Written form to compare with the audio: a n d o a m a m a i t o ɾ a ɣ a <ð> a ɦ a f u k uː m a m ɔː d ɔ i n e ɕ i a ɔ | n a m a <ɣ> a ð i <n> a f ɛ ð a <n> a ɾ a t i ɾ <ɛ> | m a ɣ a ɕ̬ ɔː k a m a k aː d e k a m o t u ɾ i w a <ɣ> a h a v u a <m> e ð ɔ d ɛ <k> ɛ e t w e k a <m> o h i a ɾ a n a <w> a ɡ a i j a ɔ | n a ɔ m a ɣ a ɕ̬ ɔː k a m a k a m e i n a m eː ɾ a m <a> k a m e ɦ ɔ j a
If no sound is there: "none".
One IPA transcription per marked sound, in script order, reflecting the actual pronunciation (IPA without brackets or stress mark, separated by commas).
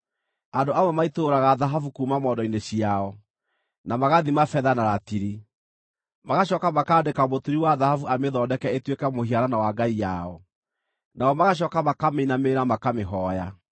ð, ɣ, m, n, i, ð, m, k, m, w, a